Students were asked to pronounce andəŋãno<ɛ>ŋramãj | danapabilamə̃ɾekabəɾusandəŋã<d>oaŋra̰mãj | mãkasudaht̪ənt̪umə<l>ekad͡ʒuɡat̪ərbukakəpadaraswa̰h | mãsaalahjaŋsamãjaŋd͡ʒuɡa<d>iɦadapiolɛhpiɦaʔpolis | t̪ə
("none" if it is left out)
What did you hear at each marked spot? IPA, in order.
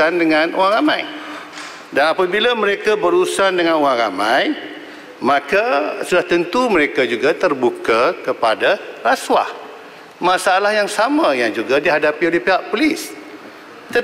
a, n, ɾ, d

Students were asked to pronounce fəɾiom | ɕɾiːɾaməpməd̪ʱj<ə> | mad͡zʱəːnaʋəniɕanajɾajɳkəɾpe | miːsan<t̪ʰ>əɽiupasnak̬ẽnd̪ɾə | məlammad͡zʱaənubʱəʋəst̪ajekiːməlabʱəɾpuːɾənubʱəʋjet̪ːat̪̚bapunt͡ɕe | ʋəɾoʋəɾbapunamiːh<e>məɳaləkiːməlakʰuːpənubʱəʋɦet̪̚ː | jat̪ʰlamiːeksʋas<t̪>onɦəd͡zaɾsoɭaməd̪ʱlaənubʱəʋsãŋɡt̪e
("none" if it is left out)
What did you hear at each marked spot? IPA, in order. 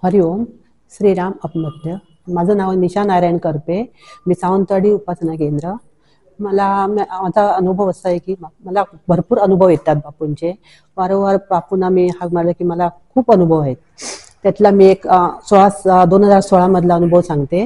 ə, t̪, a, d̪

